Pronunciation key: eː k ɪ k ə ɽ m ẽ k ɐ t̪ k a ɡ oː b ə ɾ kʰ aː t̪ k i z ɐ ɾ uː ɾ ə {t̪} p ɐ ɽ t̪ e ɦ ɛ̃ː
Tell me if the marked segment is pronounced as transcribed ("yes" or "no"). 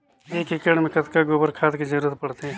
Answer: yes